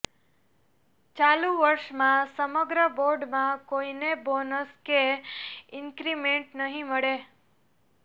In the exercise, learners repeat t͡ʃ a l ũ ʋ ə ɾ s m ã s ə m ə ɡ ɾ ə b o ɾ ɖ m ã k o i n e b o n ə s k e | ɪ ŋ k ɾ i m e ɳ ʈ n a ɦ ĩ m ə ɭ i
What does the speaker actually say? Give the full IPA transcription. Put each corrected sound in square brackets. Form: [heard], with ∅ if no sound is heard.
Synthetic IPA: t͡ʃ a l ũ ʋ ə ɾ [ʃ] m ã s ə m ə ɡ ɾ ə b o ɾ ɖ m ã k o i n e b o n ə s k e | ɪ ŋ k ɾ i m e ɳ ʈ n [ə] ɦ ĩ m ə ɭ [e]

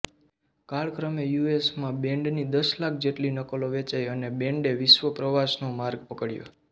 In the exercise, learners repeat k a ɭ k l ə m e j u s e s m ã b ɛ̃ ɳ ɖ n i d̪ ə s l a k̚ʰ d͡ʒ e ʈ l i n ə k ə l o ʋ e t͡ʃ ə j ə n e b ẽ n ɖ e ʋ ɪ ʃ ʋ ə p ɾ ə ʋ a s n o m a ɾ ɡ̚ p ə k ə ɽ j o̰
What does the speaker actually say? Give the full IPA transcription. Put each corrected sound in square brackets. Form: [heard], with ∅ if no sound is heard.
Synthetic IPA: k a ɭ k [ɾ] ə m e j u [∅] e s m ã b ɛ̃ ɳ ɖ n i d̪ ə s l a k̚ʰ d͡ʒ e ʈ l i n ə k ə l o ʋ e t͡ʃ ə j ə n e b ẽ [ɳ] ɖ e ʋ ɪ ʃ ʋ ə p ɾ ə ʋ a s n o m a ɾ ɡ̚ p ə k ə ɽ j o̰

